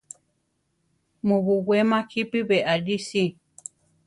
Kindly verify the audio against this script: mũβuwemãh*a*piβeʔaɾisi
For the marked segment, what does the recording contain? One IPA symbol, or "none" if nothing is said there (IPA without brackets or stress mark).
i